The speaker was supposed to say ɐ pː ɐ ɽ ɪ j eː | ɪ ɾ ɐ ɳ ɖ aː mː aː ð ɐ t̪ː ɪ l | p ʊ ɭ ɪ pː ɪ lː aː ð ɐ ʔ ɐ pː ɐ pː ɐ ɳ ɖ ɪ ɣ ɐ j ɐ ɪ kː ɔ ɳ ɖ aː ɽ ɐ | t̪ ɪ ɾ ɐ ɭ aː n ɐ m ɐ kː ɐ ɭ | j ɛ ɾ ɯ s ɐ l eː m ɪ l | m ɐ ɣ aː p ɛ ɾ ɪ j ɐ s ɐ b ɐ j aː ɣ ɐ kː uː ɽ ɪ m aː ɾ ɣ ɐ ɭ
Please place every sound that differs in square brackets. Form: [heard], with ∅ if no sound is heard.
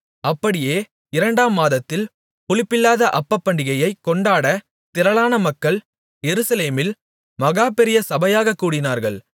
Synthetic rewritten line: ɐ pː ɐ ɽ ɪ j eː | ɪ ɾ ɐ ɳ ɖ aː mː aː ð ɐ t̪ː ɪ l | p ʊ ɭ ɪ pː ɪ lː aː ð ɐ ʔ ɐ pː ɐ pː ɐ ɳ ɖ ɪ ɣ ɐ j ɐ ɪ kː ɔ ɳ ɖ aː ɽ ɐ | t̪ ɪ ɾ ɐ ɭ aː n ɐ m ɐ kː ɐ ɭ | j ɛ ɾ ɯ s ɐ l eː m ɪ l | m ɐ ɣ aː p ɛ ɾ ɪ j ɐ s ɐ b ɐ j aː ɣ ɐ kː uː ɽ ɪ [n] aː ɾ ɣ ɐ ɭ